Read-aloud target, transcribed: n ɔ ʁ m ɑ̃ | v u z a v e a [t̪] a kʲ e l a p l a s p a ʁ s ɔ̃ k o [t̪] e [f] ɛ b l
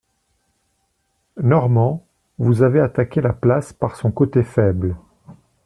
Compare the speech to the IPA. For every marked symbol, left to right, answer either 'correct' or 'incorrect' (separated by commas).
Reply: correct, correct, correct